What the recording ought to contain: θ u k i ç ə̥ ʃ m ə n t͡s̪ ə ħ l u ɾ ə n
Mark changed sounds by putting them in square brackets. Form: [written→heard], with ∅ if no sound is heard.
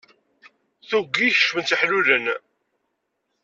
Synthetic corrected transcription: θ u [k→ɡ] i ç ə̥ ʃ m ə n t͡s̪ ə ħ l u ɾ ə n